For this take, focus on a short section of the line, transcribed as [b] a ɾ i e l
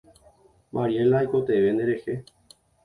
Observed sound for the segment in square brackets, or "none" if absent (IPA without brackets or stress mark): m